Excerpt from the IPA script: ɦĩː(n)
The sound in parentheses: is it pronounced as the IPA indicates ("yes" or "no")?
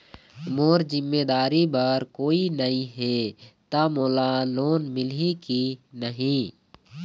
no